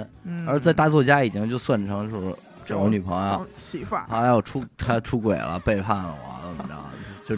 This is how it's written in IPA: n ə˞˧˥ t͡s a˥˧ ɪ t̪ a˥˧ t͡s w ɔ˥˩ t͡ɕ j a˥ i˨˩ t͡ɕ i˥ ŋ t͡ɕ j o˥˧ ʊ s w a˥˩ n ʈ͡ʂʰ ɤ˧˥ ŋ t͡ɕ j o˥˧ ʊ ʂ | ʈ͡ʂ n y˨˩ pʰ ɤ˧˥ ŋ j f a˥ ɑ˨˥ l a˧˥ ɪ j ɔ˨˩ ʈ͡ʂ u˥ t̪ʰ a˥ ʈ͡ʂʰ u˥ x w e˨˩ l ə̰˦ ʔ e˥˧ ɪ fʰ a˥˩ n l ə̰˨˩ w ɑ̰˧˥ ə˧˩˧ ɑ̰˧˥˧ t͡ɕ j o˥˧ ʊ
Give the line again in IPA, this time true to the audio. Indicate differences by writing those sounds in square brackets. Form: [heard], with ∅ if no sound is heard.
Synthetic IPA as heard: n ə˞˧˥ t͡s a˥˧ ɪ t̪ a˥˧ t͡s w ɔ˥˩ t͡ɕ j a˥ i˨˩ t͡ɕ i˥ ŋ t͡ɕ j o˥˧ ʊ s w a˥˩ n ʈ͡ʂʰ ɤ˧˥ ŋ t͡ɕ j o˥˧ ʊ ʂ | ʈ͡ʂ n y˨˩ pʰ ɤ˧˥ ŋ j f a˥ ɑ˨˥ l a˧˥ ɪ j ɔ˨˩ [ʈ͡ʂʰ] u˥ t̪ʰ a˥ ʈ͡ʂʰ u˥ [k] w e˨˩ l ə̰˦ [p] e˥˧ ɪ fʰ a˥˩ n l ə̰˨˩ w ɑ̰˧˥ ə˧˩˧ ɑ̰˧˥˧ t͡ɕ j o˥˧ ʊ